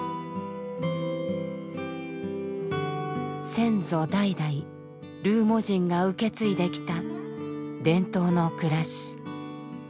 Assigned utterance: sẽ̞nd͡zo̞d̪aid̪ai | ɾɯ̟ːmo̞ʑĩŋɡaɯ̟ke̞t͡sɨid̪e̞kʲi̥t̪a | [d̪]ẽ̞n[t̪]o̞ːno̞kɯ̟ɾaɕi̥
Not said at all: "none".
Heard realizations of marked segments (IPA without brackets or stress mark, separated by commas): d̪, t̪